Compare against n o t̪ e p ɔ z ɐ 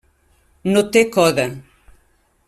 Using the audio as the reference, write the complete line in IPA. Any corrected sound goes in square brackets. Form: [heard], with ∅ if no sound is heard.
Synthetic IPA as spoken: n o t̪ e [k] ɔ [ð] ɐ